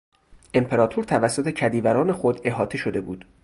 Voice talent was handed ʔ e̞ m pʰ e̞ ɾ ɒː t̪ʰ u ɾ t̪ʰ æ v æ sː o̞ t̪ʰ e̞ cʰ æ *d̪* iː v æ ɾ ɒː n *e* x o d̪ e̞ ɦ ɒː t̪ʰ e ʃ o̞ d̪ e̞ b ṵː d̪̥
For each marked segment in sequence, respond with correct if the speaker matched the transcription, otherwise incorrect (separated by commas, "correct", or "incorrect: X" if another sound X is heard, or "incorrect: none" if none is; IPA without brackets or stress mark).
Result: correct, correct